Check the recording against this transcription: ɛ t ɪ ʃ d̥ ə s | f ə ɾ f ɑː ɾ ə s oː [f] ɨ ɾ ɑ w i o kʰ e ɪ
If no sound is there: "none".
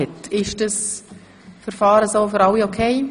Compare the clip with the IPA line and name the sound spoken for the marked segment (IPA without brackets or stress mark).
f